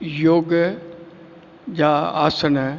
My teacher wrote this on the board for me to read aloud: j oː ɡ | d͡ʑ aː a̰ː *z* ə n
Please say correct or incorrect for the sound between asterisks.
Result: incorrect